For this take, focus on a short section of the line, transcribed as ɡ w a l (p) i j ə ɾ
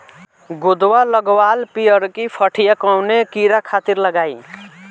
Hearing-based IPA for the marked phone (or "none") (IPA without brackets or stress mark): p